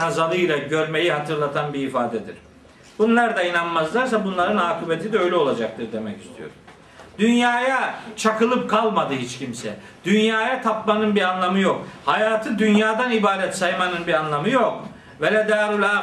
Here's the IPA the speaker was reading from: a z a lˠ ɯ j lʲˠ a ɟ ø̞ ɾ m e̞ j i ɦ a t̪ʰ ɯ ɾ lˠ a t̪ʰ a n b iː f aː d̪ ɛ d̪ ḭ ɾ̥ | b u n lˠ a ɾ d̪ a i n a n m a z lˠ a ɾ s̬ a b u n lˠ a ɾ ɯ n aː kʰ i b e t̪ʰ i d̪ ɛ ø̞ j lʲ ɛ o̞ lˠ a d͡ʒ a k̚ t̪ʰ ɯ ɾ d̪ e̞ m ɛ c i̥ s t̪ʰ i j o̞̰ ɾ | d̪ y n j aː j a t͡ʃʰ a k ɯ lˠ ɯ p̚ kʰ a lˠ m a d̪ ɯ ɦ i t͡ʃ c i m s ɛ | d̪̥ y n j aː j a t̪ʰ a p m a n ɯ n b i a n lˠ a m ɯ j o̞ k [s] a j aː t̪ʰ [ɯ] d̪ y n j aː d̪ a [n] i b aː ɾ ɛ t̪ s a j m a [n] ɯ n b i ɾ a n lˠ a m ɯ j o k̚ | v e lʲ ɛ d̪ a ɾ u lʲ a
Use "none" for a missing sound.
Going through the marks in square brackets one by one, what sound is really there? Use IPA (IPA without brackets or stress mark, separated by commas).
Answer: h, ɯ, n, n